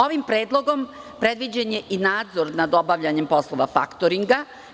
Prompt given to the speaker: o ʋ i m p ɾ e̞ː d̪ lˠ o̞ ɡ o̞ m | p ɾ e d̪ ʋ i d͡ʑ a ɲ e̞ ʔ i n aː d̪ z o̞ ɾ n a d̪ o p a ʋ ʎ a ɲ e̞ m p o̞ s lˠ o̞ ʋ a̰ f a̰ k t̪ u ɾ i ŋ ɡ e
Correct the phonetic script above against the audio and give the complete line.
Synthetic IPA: o ʋ i m p ɾ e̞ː d̪ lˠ o̞ ɡ o̞ m | p ɾ e d̪ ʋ i d͡ʑ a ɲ e̞ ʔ i n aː d̪ z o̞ ɾ n a d̪ o b a ʋ ʎ a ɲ e̞ m p o̞ s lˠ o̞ ʋ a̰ f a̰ k t̪ o ɾ i ŋ ɡ a

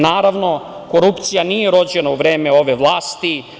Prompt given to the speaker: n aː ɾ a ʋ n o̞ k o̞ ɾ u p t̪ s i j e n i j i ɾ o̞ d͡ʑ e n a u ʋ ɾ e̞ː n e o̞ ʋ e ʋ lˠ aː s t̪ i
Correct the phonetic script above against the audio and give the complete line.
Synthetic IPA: n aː ɾ a ʋ n o̞ k o̞ ɾ u p t̪ s i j a n i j e ɾ o̞ d͡ʑ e n a u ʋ ɾ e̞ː m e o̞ ʋ e ʋ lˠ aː s t̪ i

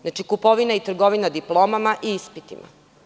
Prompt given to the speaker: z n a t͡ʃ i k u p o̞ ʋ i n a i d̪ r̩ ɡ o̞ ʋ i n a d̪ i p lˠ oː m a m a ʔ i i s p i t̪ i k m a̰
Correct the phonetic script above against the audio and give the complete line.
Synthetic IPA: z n a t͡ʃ i k u p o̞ ʋ i n a i t̪ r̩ ɡ o̞ ʋ i n a d̪ i p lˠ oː m a m a ʔ i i s p i t̪ i m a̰

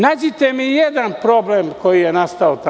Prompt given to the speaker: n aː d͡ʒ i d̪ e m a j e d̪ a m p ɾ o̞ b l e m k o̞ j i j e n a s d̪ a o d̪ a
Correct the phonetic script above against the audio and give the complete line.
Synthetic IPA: n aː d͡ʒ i t̪ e m i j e d̪ a n p ɾ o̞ b l e m k o̞ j i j e n a s t̪ a o t̪ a

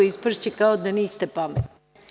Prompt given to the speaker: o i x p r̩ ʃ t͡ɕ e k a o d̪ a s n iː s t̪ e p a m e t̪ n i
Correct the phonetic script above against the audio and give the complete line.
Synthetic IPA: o i s p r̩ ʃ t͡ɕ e k a o d̪ a n iː s t̪ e p a m e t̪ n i

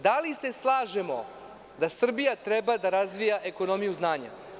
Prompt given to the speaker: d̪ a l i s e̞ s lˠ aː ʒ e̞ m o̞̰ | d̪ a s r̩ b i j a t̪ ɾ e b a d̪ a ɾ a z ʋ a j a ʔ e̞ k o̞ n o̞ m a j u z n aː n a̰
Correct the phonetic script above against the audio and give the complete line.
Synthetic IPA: d̪ a l i s e̞ s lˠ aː ʒ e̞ m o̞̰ | d̪ a s r̩ b i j a t̪ ɾ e b a d̪ a ɾ a z ʋ i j a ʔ e̞ k o̞ n o̞ m i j u z n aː ɲ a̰

